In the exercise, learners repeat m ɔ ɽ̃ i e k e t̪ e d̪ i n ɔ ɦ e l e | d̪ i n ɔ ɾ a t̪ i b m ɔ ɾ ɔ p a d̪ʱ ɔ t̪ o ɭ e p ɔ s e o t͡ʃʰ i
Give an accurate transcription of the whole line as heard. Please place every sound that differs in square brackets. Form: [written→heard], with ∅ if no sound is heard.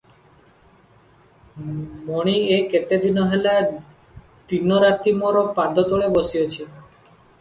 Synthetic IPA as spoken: m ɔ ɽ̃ i e k e t̪ e d̪ i n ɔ ɦ e l [e→a] | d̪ i n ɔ ɾ a t̪ i [b→∅] m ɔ ɾ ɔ p a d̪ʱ ɔ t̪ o ɭ e [p→b] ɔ s [e→i] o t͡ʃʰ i